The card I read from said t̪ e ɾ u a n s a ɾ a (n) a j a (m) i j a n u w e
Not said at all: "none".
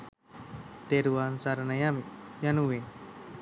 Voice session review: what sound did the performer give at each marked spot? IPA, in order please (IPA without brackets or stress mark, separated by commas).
n, m